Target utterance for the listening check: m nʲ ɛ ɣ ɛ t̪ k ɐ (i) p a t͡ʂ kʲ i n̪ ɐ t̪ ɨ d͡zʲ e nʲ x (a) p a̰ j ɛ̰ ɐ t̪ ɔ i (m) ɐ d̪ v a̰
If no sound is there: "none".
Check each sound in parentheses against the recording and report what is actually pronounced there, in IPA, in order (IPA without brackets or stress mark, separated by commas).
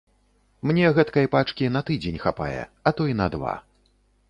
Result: j, a, n